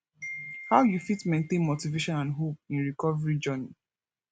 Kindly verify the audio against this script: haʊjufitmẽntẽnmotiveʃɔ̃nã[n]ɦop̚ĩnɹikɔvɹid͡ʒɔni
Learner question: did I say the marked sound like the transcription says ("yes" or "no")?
yes